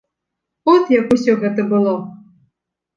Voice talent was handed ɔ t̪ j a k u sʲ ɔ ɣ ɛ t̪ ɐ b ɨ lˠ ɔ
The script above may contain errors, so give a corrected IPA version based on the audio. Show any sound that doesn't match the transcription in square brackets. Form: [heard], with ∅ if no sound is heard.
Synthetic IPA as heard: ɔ t̪ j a k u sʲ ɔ ɣ ɛ t̪ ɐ b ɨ lˠ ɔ